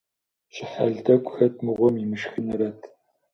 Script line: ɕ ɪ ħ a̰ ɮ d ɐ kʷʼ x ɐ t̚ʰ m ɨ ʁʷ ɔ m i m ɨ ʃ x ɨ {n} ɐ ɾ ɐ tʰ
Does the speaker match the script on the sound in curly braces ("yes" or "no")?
yes